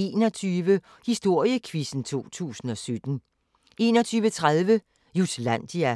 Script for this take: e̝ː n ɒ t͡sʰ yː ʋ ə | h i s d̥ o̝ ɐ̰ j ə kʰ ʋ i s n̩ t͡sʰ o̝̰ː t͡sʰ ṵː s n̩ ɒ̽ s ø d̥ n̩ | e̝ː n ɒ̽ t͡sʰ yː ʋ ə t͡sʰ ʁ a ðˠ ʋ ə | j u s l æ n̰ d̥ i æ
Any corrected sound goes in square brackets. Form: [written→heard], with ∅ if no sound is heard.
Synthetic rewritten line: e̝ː n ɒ t͡sʰ yː ʋ ə | h i s d̥ o̝ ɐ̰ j ə kʰ ʋ i s n̩ t͡sʰ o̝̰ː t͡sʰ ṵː s n̩ ɒ̽ s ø d̥ n̩ | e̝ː n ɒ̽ t͡sʰ yː ʋ ə t͡sʰ ʁ a ðˠ ʋ ə | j u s l æ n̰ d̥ i æ